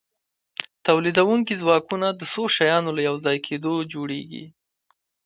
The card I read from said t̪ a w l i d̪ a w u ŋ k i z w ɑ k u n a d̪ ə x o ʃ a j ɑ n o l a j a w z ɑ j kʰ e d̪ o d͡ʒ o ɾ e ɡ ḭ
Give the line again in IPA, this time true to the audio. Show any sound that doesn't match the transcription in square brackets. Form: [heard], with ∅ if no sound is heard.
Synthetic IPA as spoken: t̪ a w l i d̪ a w u ŋ k i z w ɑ k u n a d̪ ə [s] o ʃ a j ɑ n o l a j a w z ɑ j kʰ e d̪ o d͡ʒ o [ɽ] e ɡ ḭ

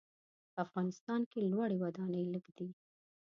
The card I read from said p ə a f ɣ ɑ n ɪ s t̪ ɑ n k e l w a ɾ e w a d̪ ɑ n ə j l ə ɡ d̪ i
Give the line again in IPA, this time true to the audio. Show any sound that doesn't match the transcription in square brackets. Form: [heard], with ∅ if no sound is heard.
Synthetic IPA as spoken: p ə a f ɣ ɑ n ɪ s t̪ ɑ n k e l w a [ɽ] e w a d̪ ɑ n ə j l ə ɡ d̪ i

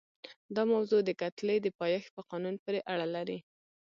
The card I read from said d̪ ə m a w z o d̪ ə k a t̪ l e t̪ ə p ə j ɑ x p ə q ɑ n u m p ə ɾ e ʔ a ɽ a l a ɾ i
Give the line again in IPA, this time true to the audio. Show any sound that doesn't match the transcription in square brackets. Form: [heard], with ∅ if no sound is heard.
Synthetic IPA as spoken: d̪ [ɑ] m a w z o d̪ ə k a t̪ l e [d̪] ə p [ɑ] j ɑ x p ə q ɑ n u [n] p ə ɾ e ʔ a ɽ a l a ɾ i

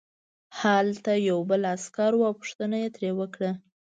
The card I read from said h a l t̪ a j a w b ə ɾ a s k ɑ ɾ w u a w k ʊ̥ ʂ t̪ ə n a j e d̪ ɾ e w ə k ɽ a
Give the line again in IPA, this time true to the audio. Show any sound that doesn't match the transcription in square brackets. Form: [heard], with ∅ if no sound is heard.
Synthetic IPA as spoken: h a l t̪ a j a w b ə [l] a s k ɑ ɾ w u a w [p] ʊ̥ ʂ t̪ ə n a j e [t̪] ɾ e w ə k ɽ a

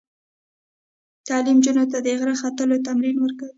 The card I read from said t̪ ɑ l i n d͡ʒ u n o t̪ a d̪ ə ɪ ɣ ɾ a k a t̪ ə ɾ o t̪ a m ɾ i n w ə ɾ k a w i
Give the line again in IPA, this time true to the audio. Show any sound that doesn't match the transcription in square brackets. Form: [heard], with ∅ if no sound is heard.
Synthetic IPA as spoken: t̪ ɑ l i [m] d͡ʒ u n o t̪ a d̪ ə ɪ ɣ ɾ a [x] a t̪ ə [l] o t̪ a m ɾ i n w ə ɾ k a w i

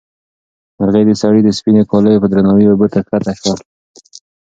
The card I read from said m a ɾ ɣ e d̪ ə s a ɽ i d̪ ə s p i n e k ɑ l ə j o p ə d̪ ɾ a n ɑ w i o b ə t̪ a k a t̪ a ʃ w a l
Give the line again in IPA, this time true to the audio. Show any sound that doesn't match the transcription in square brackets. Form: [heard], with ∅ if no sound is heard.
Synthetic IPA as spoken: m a ɾ ɣ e d̪ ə s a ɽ i d̪ ə s p i n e k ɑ l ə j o p ə d̪ ɾ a n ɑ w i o b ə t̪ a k a t̪ a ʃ w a l

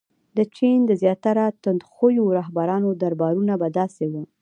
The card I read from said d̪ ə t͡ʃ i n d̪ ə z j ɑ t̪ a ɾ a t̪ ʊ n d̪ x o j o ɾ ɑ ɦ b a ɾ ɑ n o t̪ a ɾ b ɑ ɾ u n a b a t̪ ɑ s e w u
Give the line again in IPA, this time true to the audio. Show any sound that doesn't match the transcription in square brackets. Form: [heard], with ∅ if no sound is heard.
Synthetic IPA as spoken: d̪ ə t͡ʃ i n d̪ ə z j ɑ t̪ a ɾ a t̪ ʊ n d̪ x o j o ɾ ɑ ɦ b a ɾ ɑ n o [d̪] a ɾ b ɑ ɾ u n a b a [d̪] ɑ s e w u

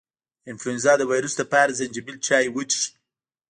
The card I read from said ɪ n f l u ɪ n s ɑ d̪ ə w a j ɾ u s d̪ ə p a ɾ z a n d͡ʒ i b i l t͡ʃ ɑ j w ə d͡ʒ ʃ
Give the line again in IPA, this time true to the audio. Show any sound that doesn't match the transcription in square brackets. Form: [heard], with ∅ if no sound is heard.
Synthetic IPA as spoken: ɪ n f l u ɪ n [z] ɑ d̪ ə w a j ɾ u s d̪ ə p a ɾ z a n d͡ʒ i b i l t͡ʃ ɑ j w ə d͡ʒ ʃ

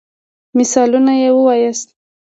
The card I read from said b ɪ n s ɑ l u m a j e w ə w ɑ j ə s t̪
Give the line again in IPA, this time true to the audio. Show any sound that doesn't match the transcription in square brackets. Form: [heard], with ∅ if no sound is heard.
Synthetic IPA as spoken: [m] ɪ [∅] s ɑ l u [n] a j e w ə w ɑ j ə s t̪

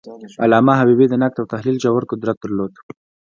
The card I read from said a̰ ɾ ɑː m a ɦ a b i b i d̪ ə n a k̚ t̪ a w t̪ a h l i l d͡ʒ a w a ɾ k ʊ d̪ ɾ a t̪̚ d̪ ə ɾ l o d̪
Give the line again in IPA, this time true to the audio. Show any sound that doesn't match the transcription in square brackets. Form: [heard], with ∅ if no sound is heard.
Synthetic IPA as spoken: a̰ [l] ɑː m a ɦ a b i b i d̪ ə n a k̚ t̪ a w t̪ a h l i l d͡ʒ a w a ɾ k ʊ d̪ ɾ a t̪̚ d̪ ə ɾ l o d̪

